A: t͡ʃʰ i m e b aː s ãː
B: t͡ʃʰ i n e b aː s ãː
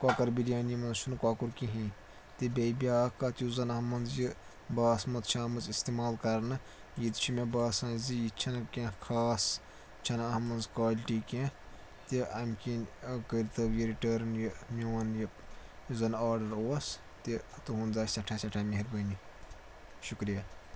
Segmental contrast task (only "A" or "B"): A